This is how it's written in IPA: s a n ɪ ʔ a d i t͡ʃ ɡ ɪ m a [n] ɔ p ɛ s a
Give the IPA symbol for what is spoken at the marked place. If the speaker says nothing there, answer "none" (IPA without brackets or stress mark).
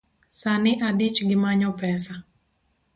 ɲ